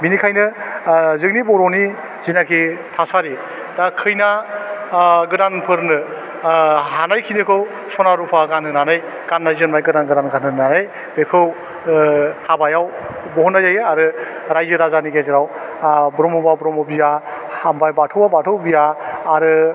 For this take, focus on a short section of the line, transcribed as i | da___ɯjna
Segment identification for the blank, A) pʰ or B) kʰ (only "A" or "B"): B